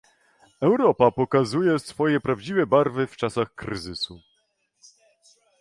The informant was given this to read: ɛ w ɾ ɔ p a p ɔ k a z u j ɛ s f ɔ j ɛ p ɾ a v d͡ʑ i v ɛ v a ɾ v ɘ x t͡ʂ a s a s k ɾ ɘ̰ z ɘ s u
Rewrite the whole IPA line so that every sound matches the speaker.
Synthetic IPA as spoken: ɛ w ɾ ɔ p a p ɔ k a z u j ɛ s f ɔ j ɛ p ɾ a v d͡ʑ i v ɛ b a ɾ v ɘ f t͡ʂ a s a x k ɾ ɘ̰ z ɘ s u